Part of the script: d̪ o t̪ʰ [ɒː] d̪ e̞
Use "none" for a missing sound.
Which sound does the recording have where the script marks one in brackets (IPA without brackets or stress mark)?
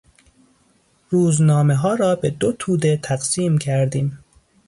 uː